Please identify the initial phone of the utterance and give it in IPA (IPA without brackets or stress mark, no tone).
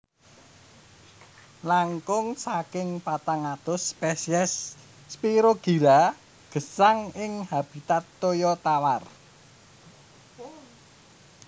l